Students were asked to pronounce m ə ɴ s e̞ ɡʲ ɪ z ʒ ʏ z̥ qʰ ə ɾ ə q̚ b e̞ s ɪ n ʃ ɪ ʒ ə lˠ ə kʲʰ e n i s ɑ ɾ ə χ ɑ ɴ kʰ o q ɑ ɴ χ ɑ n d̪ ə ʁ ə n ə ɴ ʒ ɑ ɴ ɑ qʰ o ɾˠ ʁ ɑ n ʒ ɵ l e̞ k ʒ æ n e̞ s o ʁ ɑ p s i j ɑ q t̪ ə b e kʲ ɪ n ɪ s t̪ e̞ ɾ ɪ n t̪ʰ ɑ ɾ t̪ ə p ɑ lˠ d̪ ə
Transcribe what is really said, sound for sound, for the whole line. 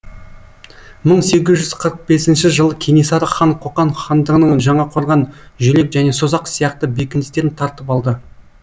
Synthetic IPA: m ə ɴ s e̞ ɡʲ ɪ z ʒ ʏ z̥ qʰ ə ɾ ə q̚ b e̞ s ɪ n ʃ ɪ ʒ ə lˠ ə kʲʰ e n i s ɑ ɾ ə χ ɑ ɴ qʰ o q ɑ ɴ χ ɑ n d̪ ə ʁ ə n ə ɴ ʒ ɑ ɴ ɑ qʰ o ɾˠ ʁ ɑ n ʒ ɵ l e̞ k ʒ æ n e̞ s o z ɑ q s i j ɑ q t̪ ə b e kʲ ɪ n ɪ s t̪ e̞ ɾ ɪ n t̪ʰ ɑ ɾ t̪ ə p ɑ lˠ d̪ ə

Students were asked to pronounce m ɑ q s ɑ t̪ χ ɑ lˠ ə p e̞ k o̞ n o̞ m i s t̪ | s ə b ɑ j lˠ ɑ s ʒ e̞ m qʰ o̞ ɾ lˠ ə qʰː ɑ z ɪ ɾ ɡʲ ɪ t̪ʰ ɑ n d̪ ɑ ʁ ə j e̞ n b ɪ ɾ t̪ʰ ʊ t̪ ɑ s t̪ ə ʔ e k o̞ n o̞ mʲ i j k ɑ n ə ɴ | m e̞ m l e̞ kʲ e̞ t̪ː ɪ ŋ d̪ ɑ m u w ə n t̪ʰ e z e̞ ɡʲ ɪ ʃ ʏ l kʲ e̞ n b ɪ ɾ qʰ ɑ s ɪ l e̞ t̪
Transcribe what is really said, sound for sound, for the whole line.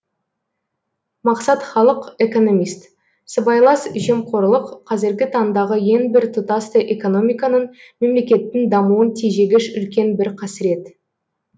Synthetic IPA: m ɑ q s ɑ t̪ χ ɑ lˠ ə q e̞ k o̞ n o̞ m i s t̪ | s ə b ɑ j lˠ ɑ s ʒ e̞ m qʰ o̞ ɾ lˠ ə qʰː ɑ z ɪ ɾ ɡʲ ɪ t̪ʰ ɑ n d̪ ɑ ʁ ə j e̞ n b ɪ ɾ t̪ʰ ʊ t̪ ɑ s t̪ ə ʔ e k o̞ n o̞ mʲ i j k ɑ n ə ɴ | m e̞ m l e̞ kʲ e̞ t̪ː ɪ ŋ d̪ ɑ m u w ə n t̪ʰ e ʒ e̞ ɡʲ ɪ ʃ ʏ l kʲ e̞ n b ɪ ɾ qʰ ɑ s ɪ ɾ e̞ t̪

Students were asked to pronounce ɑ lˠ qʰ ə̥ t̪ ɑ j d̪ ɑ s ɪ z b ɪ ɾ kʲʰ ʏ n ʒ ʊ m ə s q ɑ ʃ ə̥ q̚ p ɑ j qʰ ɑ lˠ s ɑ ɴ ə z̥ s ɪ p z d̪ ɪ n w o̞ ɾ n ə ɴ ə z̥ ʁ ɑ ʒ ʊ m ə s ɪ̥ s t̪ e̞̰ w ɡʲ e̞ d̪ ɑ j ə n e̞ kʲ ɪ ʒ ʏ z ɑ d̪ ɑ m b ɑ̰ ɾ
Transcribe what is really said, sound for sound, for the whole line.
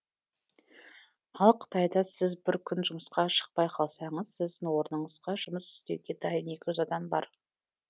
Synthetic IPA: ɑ lˠ qʰ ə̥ t̪ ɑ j d̪ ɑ s ɪ z b ɪ ɾ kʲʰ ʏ n ʒ ʊ m ə s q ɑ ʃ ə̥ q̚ p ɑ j qʰ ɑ lˠ s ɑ ɴ ə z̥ s ɪ z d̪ ɪ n w o̞ ɾ n ə ɴ ə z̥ ʁ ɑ ʒ ʊ m ə s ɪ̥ s t̪ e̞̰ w ɡʲ e̞ d̪ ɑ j ə n e̞ kʲ ɪ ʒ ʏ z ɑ d̪ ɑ m b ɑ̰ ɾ

